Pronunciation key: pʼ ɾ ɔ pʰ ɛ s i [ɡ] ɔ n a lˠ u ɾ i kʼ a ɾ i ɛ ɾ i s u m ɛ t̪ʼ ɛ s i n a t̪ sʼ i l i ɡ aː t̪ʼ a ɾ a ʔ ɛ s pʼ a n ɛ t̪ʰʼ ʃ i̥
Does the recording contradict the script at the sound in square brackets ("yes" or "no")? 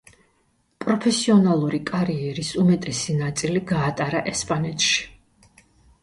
yes